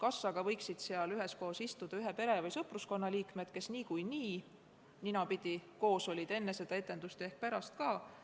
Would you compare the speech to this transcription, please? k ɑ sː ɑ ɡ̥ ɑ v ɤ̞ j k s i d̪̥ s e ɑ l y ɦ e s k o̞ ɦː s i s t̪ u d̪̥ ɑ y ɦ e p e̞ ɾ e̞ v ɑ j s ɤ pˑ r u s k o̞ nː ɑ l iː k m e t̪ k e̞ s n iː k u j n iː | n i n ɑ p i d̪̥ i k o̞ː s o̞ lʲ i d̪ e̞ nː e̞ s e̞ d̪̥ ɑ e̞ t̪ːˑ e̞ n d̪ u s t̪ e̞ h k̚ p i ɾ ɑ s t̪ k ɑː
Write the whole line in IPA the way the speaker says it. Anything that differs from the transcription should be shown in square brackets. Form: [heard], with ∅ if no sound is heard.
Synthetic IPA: k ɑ sː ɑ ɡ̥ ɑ v ɤ̞ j k s i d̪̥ s e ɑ l y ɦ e s k o̞ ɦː s i s t̪ u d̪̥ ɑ y ɦ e p e̞ ɾ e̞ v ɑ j s ɤ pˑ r u s k o̞ nː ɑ l iː k m e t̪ k e̞ s n iː k u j n iː | n i n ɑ p i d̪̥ i k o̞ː s o̞ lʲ i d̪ e̞ nː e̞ s e̞ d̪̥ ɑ e̞ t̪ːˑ e̞ n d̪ u s t̪ e̞ h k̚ p [æ] ɾ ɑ s t̪ k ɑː